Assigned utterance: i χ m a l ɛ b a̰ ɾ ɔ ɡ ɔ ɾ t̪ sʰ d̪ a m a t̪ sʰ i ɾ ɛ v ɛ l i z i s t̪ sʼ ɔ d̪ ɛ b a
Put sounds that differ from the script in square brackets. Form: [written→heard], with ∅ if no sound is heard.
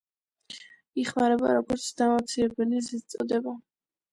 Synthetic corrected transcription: i χ m a [l→ɾ] ɛ b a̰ ɾ ɔ ɡ ɔ ɾ t̪ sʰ d̪ a m a t̪ sʰ i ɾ ɛ [v→b] ɛ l i z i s t̪ sʼ ɔ d̪ ɛ b a